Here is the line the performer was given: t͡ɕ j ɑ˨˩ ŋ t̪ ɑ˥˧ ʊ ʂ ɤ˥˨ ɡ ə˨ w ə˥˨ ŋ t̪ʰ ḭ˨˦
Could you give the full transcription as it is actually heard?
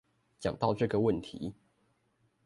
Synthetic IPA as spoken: t͡ɕ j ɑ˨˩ ŋ t̪ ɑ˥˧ ʊ ʈ͡ʂ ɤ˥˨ ɡ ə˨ w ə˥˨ n t̪ʰ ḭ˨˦

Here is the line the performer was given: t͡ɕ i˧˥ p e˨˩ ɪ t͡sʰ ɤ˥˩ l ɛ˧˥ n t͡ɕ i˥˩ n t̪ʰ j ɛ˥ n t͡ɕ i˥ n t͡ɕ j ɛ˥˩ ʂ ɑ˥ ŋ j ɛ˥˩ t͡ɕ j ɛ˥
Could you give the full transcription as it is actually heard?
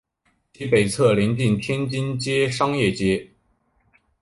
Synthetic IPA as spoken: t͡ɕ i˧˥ p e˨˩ ɪ t͡sʰ ɤ˥˩ l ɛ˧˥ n t͡ɕ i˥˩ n t̪ʰ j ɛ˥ n t͡ɕ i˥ n t͡ɕ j ɛ˥ ʂ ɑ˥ ŋ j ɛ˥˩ t͡ɕ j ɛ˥

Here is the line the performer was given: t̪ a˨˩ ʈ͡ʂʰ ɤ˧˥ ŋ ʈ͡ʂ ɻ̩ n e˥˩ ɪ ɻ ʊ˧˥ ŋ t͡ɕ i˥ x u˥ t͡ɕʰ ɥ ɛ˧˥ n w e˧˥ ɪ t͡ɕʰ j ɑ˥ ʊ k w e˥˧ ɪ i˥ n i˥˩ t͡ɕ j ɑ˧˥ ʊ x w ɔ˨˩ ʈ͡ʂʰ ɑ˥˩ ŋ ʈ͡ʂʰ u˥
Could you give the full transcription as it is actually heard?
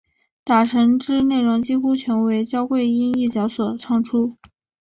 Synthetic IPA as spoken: t̪ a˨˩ ʈ͡ʂʰ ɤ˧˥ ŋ ʈ͡ʂ ɻ̩ n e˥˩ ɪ ɻ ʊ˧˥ ŋ t͡ɕ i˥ x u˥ t͡ɕʰ ɥ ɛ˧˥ n w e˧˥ ɪ t͡ɕ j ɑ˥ ʊ k w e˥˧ ɪ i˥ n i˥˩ t͡ɕ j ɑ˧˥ ʊ s w ɔ˨˩ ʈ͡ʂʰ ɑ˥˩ ŋ ʈ͡ʂʰ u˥

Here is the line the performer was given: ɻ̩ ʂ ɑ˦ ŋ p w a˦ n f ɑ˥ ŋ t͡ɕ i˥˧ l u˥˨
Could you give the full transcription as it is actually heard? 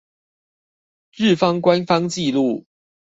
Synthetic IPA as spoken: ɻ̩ f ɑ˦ ŋ k w a˦ n f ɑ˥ ŋ t͡ɕ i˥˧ l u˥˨

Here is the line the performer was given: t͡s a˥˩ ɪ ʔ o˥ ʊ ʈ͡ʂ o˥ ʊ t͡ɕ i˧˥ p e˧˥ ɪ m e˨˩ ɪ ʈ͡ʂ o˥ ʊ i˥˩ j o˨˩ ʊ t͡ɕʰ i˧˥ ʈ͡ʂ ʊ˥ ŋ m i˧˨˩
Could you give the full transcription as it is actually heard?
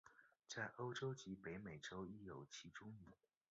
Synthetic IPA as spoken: t͡s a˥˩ ɪ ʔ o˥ ʊ ʈ͡ʂ o˥ ʊ t͡ɕ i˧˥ p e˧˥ ɪ m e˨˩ ɪ ʈ͡ʂ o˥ ʊ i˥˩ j o˨˩ ʊ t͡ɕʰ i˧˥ ʈ͡ʂ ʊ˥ ŋ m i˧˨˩

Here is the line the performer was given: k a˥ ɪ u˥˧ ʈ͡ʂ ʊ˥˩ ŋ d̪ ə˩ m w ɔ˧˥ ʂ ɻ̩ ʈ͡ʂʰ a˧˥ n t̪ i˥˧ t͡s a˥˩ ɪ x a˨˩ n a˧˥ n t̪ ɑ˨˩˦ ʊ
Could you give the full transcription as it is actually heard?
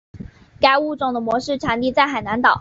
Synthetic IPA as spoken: k a˥ ɪ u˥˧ ʈ͡ʂ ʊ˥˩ ŋ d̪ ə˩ m w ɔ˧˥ ʂ ɻ̩ ʈ͡ʂʰ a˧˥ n t̪ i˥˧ t͡s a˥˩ ɪ x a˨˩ n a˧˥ n t̪ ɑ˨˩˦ ʊ

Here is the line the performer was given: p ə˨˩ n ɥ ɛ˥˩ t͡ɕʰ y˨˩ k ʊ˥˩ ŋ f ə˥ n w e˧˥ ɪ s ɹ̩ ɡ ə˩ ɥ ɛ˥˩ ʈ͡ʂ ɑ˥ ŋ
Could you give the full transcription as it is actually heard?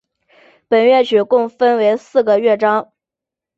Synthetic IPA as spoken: p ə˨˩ n ɥ ɛ˥˩ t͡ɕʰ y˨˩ k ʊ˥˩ ŋ f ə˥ n w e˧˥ ɪ s ɹ̩ ɡ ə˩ ɥ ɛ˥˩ ʈ͡ʂ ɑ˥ ŋ

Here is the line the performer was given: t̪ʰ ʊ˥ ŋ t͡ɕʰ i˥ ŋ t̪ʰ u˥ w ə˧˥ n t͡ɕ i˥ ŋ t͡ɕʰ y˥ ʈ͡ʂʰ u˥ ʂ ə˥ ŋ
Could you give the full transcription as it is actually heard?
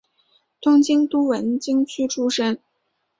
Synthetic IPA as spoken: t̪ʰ ʊ˥ ŋ t͡ɕ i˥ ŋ t̪ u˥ w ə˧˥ n t͡ɕ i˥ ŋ t͡ɕʰ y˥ ʈ͡ʂʰ u˥ ʂ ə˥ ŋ

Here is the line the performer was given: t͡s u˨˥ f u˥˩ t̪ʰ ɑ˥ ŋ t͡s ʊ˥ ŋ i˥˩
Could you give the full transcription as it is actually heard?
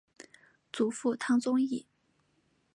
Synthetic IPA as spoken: t͡s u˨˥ f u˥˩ t̪ʰ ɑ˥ ŋ t͡s ʊ˥ ŋ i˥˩

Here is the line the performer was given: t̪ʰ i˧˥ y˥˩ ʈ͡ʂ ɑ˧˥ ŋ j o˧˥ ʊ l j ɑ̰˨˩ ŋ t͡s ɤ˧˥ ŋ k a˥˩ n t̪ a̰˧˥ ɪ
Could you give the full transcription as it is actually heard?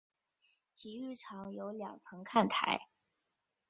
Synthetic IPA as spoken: t̪ʰ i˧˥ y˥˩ ʈ͡ʂʰ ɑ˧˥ ŋ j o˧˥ ʊ l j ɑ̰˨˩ ŋ t͡sʰ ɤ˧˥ ŋ kʰ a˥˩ n t̪ʰ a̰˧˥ ɪ

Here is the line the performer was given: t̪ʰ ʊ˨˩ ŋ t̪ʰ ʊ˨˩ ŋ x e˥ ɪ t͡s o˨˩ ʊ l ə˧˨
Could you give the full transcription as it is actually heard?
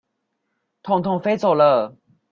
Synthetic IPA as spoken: t̪ʰ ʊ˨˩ ŋ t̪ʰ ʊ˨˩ ŋ f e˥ ɪ t͡s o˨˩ ʊ l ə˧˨

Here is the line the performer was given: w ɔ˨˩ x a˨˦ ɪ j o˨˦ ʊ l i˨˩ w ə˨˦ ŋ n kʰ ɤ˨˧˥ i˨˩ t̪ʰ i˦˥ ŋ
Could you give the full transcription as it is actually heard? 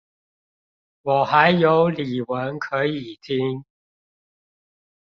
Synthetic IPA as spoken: w ɔ˨˩ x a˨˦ ɪ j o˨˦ ʊ l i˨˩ w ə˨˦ n kʰ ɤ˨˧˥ i˨˩ t̪ʰ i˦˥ ŋ

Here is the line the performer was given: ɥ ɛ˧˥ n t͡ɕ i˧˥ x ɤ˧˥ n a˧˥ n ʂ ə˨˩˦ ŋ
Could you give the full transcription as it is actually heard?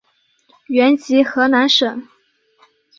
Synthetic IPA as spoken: ɥ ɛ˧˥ n t͡ɕ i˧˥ x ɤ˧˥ n a˧˥ n ʂ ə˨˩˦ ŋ

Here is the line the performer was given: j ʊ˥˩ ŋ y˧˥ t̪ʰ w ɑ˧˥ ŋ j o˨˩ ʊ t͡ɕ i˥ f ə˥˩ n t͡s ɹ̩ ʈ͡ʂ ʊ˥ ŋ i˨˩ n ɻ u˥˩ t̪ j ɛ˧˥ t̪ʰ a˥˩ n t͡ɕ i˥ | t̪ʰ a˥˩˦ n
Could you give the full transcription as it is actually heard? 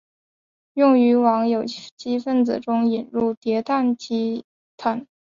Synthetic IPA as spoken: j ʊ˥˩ ŋ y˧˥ w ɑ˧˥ ŋ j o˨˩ ʊ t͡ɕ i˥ f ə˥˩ n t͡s ɹ̩ ʈ͡ʂ ʊ˥ ŋ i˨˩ n ɻ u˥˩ t̪ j ɛ˧˥ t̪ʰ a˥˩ n t͡ɕ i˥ | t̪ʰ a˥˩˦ n

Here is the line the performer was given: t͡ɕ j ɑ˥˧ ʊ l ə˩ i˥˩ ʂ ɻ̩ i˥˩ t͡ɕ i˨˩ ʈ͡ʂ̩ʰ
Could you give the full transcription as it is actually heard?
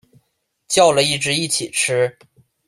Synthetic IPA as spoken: t͡ɕ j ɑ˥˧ ʊ l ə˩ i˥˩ ʈ͡ʂ ɻ̩ i˥˩ t͡ɕʰ i˨˩ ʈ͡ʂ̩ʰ

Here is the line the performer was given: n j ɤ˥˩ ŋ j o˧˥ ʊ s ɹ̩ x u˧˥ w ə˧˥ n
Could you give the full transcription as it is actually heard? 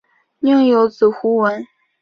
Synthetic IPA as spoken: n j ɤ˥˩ ŋ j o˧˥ ʊ t͡s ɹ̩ x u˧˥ w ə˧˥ n

